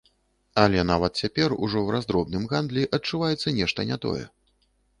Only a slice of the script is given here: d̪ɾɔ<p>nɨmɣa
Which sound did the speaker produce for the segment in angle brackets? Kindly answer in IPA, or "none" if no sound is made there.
b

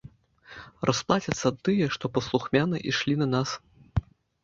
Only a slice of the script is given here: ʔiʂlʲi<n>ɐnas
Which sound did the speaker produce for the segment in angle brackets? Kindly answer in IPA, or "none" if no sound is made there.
n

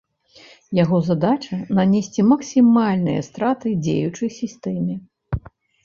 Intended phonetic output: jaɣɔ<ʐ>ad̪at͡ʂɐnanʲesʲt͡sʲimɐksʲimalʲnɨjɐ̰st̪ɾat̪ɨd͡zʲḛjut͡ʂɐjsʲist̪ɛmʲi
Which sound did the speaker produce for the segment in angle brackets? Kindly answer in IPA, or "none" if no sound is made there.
z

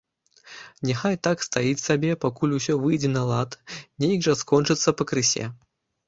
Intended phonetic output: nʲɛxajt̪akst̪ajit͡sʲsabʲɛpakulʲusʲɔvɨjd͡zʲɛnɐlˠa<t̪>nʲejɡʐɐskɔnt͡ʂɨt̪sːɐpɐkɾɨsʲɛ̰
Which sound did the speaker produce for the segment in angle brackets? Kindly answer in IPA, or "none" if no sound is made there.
t̪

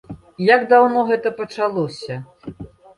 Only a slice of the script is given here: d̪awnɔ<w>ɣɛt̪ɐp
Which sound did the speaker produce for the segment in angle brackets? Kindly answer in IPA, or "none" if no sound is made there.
none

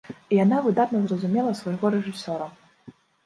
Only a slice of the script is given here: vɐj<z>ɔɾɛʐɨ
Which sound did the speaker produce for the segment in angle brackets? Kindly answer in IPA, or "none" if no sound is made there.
ɣ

